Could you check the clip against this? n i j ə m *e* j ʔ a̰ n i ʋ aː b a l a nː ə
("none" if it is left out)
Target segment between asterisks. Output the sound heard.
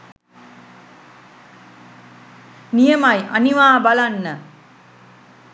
a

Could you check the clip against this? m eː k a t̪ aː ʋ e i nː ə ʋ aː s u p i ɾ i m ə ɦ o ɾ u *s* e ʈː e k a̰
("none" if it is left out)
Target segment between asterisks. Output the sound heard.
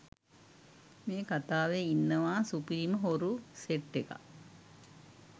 s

